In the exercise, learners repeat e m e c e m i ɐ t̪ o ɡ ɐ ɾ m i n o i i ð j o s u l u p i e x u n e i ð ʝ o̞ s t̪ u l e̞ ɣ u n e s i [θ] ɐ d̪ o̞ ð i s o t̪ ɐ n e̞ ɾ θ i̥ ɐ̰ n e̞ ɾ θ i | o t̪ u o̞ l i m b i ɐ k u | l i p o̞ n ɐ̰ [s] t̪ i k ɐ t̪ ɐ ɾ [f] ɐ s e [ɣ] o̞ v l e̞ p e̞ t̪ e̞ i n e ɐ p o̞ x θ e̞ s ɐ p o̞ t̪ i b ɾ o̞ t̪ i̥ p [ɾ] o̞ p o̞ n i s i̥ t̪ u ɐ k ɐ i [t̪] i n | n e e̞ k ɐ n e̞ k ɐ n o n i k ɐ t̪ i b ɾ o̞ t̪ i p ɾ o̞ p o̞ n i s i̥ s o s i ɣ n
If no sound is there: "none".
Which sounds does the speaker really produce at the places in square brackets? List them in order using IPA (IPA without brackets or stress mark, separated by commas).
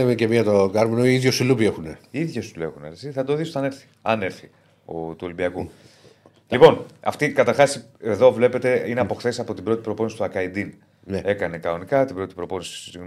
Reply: θ, f, x, ð, ɾ, d̪